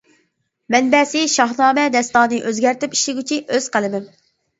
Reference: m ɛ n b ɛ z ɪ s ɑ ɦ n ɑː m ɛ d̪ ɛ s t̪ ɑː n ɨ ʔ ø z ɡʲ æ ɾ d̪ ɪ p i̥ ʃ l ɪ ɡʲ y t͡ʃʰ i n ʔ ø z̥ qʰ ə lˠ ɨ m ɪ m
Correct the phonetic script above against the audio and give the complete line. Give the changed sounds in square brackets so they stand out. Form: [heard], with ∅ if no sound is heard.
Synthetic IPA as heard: m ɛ n b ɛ [s] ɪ [ʃ] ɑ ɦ n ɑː m ɛ d̪ ɛ s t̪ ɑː n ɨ ʔ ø z ɡʲ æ ɾ [t̪] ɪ p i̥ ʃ l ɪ ɡʲ y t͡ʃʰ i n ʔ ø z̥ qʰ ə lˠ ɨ m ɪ m